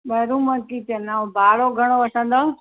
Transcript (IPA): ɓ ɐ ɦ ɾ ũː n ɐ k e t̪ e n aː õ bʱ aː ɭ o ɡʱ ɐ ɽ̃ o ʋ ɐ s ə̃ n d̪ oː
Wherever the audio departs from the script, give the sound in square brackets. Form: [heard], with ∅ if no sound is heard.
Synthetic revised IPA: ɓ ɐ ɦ ɾ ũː [m] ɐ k [i] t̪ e n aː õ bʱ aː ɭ o ɡʱ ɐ ɽ̃ o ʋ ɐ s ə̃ n d̪ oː